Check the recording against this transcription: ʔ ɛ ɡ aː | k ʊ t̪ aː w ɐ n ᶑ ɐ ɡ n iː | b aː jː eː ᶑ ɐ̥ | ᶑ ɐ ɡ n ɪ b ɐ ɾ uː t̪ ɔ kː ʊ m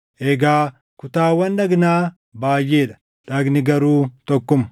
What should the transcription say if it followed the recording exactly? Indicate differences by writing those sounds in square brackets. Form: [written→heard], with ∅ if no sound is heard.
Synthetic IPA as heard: ʔ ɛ ɡ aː | k ʊ t̪ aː w ɐ n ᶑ ɐ ɡ n [iː→aː] | b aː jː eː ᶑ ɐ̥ | ᶑ ɐ ɡ n ɪ [b→ɡ] ɐ ɾ uː t̪ ɔ kː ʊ m